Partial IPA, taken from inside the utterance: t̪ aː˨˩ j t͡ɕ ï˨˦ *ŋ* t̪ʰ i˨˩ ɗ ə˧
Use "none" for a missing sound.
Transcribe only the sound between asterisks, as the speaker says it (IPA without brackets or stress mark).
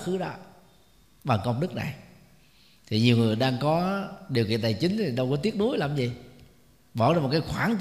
ŋ